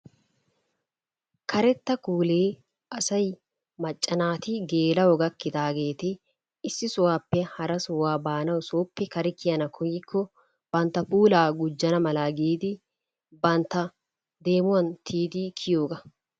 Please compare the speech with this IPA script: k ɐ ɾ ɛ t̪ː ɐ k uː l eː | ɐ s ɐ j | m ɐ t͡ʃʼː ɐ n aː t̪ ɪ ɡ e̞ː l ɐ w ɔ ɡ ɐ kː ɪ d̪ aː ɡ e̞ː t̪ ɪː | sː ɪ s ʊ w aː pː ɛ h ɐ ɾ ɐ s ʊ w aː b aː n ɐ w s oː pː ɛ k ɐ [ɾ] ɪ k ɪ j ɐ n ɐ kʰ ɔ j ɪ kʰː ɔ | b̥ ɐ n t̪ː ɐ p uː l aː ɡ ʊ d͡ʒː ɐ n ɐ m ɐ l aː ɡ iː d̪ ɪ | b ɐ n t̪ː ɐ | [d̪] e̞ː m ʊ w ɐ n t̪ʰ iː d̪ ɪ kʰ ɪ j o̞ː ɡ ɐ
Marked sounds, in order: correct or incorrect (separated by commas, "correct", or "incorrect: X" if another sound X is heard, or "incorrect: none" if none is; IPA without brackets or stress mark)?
correct, correct